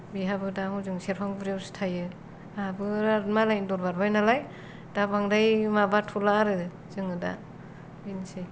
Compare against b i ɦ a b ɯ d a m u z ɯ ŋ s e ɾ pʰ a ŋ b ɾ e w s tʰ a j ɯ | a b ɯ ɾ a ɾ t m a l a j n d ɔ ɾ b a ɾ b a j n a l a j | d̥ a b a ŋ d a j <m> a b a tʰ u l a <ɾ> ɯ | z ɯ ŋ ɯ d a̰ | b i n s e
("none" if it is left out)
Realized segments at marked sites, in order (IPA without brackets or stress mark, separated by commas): m, ɾ